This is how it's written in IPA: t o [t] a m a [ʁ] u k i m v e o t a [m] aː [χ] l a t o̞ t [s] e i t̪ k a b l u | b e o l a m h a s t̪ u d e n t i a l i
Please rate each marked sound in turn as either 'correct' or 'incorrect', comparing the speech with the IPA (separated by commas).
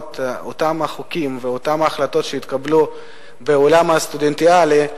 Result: correct, incorrect, correct, correct, incorrect